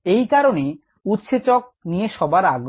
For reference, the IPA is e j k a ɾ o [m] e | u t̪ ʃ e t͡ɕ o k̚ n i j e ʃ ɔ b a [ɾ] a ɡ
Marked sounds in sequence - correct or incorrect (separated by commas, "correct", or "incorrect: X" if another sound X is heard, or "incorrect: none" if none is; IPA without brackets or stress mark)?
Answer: incorrect: n, correct